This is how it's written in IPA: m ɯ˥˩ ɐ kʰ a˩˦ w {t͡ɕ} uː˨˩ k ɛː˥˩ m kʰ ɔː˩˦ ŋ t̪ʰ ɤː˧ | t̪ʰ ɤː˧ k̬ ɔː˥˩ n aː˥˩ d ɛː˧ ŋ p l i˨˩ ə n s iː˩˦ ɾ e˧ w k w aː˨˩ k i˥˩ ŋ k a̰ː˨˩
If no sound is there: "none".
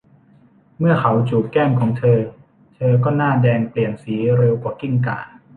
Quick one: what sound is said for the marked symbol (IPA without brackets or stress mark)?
t͡ɕ